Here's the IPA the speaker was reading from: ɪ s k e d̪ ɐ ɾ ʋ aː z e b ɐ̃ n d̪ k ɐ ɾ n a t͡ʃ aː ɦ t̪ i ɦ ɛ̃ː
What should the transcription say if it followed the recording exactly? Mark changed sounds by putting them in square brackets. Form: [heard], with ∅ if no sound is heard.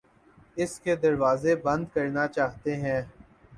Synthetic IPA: ɪ s k e d̪ ɐ ɾ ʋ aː z e b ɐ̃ n d̪ k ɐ ɾ n a t͡ʃ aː ɦ t̪ [e] ɦ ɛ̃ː